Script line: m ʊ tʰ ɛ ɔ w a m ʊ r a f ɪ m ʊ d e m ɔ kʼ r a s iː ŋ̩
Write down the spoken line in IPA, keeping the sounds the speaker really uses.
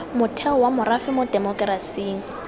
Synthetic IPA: m ʊ tʰ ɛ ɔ w a m ʊ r a f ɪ m ʊ d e m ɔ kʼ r a s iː ŋ̩